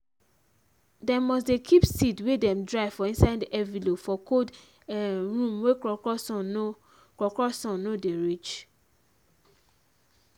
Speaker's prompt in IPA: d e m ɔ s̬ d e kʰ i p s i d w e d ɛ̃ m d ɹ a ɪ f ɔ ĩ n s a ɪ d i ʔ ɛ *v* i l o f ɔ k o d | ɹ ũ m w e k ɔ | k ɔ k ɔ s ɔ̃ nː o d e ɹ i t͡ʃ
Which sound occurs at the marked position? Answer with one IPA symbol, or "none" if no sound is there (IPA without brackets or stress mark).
v